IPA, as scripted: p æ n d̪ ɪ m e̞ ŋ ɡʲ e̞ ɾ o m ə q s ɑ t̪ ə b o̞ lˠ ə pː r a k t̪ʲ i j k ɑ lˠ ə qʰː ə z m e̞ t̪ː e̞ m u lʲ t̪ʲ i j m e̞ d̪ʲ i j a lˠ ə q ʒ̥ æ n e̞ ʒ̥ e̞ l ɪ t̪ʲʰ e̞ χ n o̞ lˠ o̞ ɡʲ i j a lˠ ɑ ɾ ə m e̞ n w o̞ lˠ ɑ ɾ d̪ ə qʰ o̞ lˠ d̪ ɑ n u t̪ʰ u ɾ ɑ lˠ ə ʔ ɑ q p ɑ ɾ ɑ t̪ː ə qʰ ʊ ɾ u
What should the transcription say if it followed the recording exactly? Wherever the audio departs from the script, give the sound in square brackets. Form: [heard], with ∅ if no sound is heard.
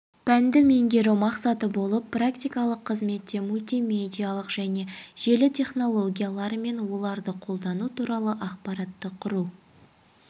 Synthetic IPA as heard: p æ n d̪ ɪ m e̞ ŋ ɡʲ e̞ ɾ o m [ɑ] q s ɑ t̪ ə b o̞ lˠ ə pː r a k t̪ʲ i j k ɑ lˠ ə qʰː ə z m e̞ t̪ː e̞ m u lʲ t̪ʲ i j m e̞ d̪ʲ i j a lˠ ə q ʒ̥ æ n e̞ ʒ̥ e̞ l ɪ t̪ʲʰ e̞ χ n o̞ lˠ o̞ ɡʲ i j a lˠ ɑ ɾ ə m e̞ n w o̞ lˠ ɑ ɾ d̪ ə qʰ o̞ lˠ d̪ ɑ n u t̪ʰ u ɾ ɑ lˠ ə ʔ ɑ q p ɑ ɾ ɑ t̪ː ə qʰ ʊ ɾ u